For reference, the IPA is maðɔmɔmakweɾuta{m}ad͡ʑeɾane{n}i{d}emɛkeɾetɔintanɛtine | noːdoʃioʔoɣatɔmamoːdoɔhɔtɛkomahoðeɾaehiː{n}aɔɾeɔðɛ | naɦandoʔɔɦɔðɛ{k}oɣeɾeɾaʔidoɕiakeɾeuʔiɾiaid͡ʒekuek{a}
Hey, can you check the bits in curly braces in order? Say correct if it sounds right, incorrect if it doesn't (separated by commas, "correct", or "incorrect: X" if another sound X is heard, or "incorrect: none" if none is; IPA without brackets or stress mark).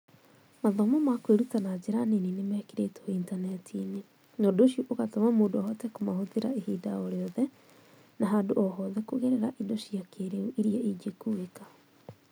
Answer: incorrect: n, correct, incorrect: n, incorrect: d, correct, correct